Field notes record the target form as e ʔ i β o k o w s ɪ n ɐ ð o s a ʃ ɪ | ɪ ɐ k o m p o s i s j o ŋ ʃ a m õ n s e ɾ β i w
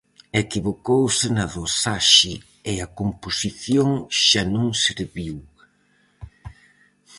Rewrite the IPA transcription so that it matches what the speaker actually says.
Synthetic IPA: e k i β o k o w s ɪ n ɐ ð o s a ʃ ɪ | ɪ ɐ k o m p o s i θ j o ŋ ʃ a n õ ŋ s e ɾ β i w